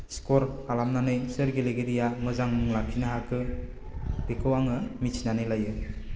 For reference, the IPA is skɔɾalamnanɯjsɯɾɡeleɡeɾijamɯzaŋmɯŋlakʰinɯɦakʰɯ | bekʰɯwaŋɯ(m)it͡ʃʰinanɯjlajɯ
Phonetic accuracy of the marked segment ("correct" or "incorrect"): correct